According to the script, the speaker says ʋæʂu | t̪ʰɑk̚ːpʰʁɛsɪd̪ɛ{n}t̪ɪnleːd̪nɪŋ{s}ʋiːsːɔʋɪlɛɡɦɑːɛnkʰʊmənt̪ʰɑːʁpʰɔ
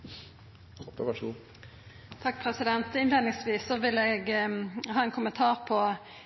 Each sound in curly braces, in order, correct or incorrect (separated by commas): correct, correct